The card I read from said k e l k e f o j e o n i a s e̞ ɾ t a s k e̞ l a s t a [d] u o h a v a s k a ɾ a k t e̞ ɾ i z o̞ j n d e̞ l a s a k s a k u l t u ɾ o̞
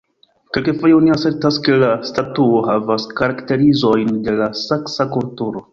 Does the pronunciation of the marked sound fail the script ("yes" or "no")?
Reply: yes